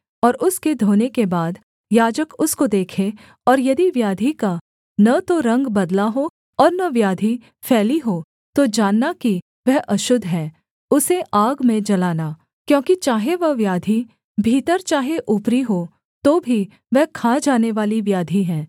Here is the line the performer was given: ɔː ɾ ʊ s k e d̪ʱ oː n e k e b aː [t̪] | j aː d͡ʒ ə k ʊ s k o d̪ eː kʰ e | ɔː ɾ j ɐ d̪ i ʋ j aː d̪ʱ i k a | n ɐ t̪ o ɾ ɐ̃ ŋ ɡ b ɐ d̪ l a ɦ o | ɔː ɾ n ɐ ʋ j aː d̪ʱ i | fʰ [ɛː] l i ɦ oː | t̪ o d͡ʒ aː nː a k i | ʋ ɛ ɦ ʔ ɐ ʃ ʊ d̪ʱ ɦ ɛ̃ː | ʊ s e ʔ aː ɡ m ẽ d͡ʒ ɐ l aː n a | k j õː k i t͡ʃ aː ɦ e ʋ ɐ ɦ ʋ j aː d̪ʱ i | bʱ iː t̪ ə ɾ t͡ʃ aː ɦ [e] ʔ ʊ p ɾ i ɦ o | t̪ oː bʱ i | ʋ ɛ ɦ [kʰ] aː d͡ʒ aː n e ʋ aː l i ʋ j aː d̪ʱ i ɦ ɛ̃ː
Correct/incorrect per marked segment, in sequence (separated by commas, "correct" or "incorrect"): incorrect, correct, correct, correct